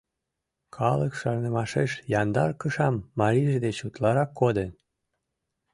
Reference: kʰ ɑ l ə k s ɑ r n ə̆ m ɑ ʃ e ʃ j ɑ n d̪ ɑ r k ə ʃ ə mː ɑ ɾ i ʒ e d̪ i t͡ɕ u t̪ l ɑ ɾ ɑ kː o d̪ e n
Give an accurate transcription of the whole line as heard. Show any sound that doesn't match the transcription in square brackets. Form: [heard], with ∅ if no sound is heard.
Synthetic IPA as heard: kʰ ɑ l ə k [ʃ] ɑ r n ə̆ m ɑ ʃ e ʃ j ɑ n d̪ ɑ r k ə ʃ [ɑ] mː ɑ ɾ i ʒ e d̪ [e] t͡ɕ u t̪ l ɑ ɾ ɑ kː o d̪ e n